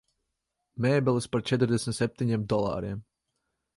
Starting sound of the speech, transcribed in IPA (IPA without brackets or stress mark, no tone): m